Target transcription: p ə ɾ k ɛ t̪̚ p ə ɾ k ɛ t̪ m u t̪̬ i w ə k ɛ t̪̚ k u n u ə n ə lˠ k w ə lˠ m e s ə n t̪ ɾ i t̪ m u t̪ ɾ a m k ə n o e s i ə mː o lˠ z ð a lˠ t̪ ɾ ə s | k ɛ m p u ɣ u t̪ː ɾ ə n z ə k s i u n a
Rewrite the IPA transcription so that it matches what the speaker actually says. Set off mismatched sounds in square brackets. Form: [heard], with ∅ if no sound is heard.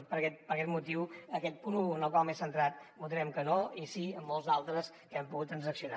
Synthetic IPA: p ə ɾ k ɛ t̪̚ p ə ɾ k ɛ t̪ m u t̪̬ i w ə k ɛ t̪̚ [p] u n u ə n ə lˠ k w [a] lˠ m e s ə n t̪ ɾ [a] t̪ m u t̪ ɾ [ɛ] m k ə n o [i] s i ə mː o lˠ z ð a lˠ t̪ ɾ ə s | k ɛ m p u ɣ u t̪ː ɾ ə n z ə k s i u n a